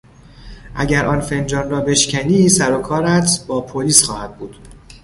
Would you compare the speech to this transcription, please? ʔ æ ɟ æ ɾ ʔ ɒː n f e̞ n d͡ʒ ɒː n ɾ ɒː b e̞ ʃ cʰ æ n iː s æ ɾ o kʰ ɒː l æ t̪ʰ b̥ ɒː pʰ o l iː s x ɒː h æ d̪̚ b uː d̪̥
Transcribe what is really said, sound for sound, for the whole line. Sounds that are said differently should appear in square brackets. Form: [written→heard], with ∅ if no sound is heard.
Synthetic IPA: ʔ æ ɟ æ ɾ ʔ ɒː n f e̞ n d͡ʒ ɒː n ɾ ɒː b e̞ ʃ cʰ æ n iː s æ ɾ o kʰ ɒː [l→ɾ] æ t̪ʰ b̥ ɒː pʰ o l iː s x ɒː h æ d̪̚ b uː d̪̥